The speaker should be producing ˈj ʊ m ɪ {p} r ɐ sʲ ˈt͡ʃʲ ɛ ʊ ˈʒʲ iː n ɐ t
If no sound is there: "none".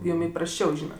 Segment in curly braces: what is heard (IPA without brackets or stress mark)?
p